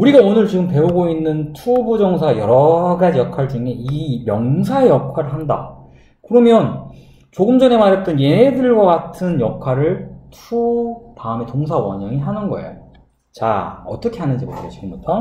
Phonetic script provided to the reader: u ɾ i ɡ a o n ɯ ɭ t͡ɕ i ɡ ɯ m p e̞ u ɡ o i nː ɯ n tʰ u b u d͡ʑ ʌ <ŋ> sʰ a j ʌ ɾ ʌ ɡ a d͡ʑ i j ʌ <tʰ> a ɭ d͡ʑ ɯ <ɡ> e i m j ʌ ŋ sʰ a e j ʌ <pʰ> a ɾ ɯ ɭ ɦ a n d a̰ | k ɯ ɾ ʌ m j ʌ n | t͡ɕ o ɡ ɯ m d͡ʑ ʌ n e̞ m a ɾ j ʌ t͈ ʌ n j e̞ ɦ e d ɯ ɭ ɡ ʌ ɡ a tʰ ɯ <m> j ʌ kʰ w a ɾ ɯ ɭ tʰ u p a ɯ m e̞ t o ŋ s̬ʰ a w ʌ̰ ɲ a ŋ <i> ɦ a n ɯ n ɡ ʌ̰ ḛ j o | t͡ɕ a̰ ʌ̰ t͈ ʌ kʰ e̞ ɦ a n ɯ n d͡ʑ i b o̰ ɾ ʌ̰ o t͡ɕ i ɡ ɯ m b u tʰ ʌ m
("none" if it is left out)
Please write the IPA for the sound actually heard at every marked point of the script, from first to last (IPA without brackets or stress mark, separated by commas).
ŋ, kʰ, ŋ, kʰ, n, i